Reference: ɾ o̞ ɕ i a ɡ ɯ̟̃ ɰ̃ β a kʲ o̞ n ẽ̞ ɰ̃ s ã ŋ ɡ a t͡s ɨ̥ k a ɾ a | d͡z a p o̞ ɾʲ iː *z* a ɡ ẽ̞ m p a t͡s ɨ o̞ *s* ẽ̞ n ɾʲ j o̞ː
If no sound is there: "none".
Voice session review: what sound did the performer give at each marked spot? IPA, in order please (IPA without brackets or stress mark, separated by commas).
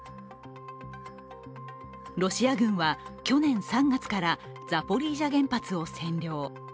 ʑ, s